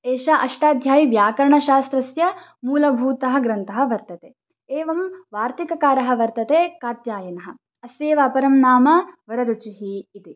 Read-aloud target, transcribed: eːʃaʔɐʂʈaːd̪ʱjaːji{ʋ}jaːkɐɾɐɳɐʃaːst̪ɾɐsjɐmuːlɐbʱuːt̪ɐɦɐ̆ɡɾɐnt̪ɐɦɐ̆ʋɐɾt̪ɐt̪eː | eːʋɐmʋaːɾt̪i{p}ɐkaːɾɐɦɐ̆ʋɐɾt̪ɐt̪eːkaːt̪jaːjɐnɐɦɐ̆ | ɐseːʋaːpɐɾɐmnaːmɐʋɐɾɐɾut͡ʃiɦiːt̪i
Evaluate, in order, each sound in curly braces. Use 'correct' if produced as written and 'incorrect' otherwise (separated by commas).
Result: correct, incorrect